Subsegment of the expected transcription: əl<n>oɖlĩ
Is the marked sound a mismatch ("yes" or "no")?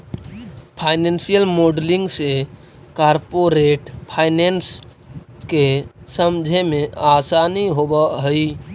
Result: yes